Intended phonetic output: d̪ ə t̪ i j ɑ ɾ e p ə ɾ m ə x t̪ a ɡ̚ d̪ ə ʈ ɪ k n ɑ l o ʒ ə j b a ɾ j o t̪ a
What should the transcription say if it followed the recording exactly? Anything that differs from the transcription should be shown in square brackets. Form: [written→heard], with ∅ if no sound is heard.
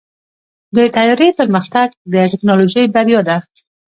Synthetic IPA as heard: d̪ ə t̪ [i→a] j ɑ ɾ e p ə ɾ m ə x t̪ a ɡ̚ d̪ ə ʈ ɪ k n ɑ l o ʒ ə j b a ɾ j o [t̪→d̪] a